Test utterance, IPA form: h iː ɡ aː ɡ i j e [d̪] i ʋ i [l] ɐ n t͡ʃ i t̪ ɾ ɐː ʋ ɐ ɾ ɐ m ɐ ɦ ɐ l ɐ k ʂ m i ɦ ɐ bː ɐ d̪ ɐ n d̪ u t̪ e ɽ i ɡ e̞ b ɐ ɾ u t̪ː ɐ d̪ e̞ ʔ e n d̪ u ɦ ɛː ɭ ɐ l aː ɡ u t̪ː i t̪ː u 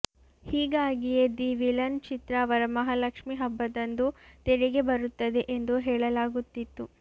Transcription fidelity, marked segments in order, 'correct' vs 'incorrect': correct, correct

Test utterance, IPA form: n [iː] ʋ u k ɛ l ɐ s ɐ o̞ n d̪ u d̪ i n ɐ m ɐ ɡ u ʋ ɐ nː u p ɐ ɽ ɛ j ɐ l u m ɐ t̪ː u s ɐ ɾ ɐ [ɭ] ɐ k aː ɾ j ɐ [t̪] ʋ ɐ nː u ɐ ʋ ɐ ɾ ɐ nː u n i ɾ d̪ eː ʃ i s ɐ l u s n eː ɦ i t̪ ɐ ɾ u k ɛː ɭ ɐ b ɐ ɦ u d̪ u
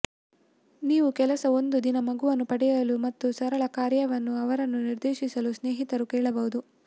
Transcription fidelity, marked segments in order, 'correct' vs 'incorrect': correct, correct, incorrect

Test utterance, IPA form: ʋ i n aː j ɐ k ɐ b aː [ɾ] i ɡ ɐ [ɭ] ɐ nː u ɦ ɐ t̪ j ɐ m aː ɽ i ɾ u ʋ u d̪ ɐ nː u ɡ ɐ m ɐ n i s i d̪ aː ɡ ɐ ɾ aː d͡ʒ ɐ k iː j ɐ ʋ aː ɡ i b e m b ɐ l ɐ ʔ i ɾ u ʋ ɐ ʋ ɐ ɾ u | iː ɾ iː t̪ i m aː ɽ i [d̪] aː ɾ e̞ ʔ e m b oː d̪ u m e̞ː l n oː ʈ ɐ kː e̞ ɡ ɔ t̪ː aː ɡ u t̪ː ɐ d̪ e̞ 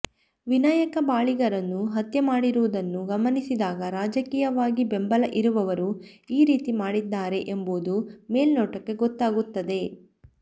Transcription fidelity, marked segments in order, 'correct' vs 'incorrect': incorrect, incorrect, incorrect

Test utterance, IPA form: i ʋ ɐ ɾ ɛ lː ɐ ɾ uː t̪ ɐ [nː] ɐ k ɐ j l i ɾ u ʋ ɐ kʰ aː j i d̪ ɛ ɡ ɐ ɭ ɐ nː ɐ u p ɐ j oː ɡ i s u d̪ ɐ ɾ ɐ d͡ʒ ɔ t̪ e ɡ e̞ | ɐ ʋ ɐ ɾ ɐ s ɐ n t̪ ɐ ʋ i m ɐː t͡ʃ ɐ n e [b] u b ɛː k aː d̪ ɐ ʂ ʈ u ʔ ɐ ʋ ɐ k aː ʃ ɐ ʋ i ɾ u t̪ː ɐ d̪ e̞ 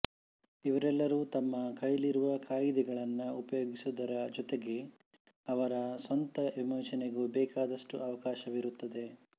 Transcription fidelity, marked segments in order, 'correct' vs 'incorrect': incorrect, incorrect

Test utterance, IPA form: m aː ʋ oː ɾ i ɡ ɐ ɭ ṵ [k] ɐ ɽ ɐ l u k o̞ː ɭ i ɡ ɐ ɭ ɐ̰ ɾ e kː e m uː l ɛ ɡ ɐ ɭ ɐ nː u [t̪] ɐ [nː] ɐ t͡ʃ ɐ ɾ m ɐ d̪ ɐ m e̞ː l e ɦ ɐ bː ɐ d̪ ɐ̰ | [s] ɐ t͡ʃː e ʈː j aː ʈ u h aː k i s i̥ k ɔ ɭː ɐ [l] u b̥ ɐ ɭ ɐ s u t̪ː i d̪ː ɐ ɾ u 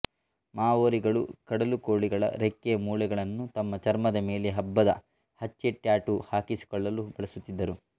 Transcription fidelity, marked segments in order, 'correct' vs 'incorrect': correct, correct, incorrect, incorrect, correct

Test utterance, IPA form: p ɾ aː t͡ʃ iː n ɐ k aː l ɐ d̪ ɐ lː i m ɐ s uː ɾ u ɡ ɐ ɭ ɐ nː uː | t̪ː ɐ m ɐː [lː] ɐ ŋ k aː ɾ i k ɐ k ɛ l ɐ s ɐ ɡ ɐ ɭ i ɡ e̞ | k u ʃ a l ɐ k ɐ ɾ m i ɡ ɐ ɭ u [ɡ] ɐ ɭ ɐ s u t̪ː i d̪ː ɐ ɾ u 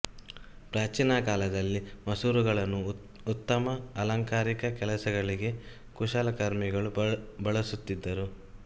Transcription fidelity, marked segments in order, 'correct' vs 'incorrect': incorrect, incorrect

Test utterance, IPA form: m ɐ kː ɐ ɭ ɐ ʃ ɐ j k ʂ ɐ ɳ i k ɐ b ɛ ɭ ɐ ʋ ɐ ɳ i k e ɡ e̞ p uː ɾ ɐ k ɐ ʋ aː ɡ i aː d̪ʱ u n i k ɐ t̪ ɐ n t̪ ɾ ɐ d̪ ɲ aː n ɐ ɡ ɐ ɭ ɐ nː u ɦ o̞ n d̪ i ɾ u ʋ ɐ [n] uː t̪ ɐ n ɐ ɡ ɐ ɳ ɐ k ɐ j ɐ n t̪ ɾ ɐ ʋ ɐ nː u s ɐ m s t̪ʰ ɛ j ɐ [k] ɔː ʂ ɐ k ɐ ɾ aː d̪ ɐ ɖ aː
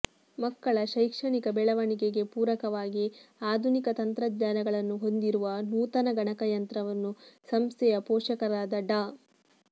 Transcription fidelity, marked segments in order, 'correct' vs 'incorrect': correct, incorrect

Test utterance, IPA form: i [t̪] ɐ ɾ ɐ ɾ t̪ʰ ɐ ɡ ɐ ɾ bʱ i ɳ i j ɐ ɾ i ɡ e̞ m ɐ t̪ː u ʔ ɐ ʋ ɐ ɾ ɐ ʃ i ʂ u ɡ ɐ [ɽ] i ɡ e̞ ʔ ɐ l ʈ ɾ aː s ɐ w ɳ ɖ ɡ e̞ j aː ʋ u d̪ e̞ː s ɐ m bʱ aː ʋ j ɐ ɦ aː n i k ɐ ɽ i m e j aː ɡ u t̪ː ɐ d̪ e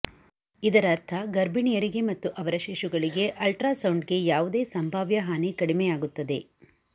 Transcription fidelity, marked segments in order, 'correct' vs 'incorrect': incorrect, incorrect

